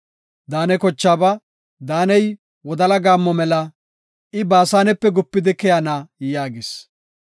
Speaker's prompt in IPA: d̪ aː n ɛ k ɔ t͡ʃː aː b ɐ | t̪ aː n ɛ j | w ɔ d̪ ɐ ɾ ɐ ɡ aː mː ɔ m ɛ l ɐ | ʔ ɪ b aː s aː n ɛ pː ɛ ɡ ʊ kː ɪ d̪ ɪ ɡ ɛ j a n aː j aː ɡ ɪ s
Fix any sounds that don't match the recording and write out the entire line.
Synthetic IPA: d̪ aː n ɛ k ɔ t͡ʃː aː b ɐ | d̪ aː n ɛ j | w ɔ d̪ ɐ l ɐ ɡ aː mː ɔ m ɛ l ɐ | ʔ ɪ b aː s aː n ɛ pː ɛ ɡ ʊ pː ɪ d̪ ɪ k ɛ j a n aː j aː ɡ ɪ s